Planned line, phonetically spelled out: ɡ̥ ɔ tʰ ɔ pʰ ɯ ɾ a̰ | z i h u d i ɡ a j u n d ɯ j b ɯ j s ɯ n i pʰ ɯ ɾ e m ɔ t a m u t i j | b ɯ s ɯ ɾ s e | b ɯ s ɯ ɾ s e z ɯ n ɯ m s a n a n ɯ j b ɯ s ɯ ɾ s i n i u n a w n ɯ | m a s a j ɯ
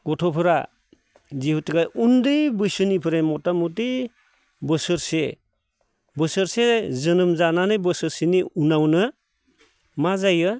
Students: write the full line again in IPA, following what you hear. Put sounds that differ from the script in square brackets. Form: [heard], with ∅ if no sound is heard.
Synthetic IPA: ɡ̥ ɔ tʰ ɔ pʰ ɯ ɾ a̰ | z i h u [t] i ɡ a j u n d ɯ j b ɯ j s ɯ n i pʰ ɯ ɾ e m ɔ t a m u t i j | b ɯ s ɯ ɾ s e | b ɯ s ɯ ɾ s e z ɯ n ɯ m [z] a n a n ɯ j b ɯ s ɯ ɾ s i n i u n a w n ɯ | m a [z] a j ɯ